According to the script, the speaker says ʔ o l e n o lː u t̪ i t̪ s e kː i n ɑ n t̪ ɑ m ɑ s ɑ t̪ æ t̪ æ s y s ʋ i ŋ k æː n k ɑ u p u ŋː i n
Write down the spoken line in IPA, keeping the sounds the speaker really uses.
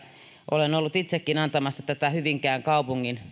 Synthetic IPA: ʔ o l e n o lː u t̪ i t̪ s e kː i n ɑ n t̪ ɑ m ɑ sː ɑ t̪ æ t̪ æ h y ʋ i ŋ k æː ŋ k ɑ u p u ŋː i n